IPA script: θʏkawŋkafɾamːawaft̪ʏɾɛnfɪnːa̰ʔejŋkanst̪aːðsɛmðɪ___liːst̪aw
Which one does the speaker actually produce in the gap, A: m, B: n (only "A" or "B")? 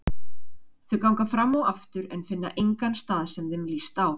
A